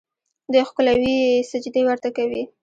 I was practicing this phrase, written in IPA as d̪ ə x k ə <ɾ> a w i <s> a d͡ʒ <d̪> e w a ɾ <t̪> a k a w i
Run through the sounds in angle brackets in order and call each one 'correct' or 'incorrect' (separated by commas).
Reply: incorrect, correct, correct, correct